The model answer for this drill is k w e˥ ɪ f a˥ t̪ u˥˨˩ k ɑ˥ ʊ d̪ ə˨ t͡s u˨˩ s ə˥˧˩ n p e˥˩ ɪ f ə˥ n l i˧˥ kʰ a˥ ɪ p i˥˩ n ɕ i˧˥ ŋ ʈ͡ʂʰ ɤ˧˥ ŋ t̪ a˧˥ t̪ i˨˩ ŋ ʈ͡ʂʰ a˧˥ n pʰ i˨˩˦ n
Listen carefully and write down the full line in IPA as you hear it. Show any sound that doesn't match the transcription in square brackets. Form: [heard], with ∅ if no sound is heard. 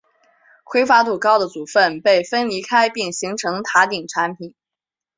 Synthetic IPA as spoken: k w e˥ ɪ f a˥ t̪ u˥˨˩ k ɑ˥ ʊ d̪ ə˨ t͡s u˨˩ [f] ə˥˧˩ n p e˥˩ ɪ f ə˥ n l i˧˥ kʰ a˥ ɪ p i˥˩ [ŋ] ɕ i˧˥ ŋ ʈ͡ʂʰ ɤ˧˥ ŋ [t̪ʰ] a˧˥ t̪ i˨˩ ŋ ʈ͡ʂʰ a˧˥ n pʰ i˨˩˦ n